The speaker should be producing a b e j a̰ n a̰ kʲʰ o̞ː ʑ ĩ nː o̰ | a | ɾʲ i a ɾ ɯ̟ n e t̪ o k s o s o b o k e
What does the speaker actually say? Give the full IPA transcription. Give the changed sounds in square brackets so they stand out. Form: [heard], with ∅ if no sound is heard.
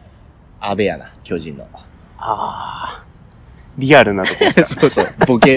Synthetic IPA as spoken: a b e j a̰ n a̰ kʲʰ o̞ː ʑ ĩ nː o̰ | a | ɾʲ i a ɾ ɯ̟ n [a] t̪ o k s o s o b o k e